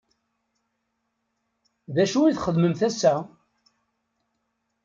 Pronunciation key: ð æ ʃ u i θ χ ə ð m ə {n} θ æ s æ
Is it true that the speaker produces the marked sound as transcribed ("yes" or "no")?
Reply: no